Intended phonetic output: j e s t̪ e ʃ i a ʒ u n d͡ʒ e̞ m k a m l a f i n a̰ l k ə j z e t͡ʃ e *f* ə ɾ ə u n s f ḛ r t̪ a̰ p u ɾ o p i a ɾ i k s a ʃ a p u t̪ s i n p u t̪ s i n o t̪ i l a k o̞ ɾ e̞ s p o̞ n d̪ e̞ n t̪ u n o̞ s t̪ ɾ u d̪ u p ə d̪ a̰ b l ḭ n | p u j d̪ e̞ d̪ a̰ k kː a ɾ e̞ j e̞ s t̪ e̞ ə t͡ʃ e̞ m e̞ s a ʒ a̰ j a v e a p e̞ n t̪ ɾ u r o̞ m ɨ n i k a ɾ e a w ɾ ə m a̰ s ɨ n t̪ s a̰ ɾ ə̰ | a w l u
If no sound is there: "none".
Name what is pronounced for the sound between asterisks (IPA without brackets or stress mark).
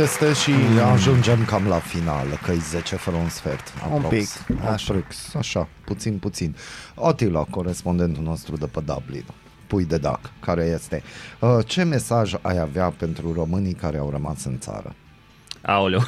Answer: f